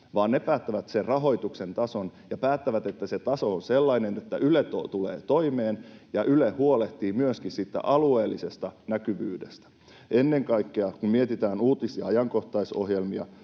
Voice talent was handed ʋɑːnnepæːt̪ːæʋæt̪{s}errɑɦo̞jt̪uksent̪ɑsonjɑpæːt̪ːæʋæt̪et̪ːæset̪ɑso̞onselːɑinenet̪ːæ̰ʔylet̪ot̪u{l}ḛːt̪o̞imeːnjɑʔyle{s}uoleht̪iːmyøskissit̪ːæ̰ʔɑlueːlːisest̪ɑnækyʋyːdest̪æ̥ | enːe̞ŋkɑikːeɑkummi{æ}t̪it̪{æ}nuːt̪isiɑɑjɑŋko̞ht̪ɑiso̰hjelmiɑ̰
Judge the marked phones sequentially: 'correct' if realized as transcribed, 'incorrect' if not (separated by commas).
correct, correct, incorrect, incorrect, incorrect